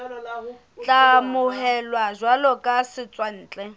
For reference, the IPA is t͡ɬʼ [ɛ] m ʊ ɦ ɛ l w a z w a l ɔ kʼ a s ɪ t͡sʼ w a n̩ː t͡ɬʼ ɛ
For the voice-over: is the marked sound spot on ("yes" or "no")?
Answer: no